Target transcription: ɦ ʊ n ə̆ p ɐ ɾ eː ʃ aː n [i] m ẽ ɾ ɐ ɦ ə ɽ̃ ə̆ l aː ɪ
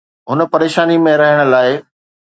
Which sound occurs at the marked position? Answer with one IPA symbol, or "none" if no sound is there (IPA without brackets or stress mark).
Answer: i